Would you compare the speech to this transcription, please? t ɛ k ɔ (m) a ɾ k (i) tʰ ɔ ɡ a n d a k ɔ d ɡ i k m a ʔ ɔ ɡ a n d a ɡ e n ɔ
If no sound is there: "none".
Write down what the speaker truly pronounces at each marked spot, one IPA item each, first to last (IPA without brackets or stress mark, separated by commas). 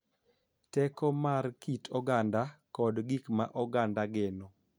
m, i